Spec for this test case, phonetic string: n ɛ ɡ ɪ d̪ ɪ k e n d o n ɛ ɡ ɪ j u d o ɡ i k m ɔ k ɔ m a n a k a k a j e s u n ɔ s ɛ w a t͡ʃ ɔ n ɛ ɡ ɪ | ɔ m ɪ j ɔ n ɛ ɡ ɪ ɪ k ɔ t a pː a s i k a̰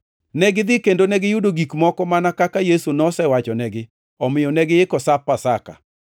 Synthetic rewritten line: n ɛ ɡ ɪ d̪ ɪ k e n d o n ɛ ɡ ɪ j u d o ɡ i k m ɔ k ɔ m a n a k a k a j e s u n ɔ s ɛ w a t͡ʃ ɔ n ɛ ɡ ɪ | ɔ m ɪ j ɔ n ɛ ɡ ɪ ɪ k ɔ s a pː a s a k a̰